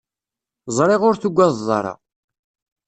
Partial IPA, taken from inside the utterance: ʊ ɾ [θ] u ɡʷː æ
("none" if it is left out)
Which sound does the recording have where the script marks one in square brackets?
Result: θ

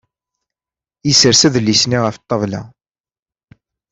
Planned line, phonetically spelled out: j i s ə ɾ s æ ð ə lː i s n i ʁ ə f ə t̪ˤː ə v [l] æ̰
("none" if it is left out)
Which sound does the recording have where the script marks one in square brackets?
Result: l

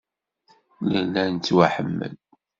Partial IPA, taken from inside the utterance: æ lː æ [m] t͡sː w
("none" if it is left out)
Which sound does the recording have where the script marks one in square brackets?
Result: n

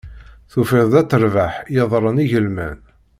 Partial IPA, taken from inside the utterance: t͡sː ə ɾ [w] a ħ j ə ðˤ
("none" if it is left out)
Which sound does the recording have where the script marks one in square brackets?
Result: v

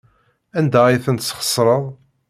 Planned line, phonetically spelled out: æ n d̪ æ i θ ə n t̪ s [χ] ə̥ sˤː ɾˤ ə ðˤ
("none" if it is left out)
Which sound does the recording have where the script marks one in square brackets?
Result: χ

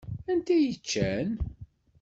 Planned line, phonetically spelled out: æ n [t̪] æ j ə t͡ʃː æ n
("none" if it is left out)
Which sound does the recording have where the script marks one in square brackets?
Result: t̪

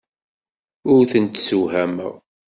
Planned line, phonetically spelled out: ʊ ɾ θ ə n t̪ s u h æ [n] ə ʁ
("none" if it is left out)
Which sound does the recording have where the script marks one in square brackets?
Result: m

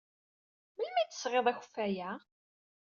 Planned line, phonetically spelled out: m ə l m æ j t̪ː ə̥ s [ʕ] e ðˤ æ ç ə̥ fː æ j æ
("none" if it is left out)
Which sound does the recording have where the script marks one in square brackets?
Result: ʁ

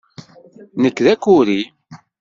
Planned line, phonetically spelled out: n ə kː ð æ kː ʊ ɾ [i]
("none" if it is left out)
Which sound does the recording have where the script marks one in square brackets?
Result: i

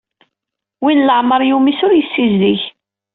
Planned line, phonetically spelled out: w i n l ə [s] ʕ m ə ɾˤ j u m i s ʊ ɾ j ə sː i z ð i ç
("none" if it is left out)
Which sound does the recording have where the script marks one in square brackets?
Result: none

